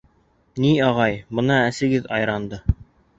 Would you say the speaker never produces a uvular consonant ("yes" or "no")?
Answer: no